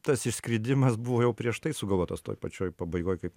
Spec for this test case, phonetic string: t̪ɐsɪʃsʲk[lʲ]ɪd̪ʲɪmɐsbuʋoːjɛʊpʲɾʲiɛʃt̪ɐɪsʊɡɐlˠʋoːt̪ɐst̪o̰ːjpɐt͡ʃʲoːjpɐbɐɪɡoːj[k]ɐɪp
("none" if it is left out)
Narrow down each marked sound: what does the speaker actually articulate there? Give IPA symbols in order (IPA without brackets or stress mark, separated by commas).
ɾʲ, k